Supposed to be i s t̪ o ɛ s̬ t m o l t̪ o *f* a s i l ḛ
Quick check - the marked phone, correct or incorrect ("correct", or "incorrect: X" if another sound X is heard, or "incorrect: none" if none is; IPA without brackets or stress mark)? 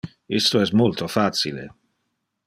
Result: correct